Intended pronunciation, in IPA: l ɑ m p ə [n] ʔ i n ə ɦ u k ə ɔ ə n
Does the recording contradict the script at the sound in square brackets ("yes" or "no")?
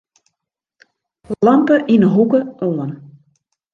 yes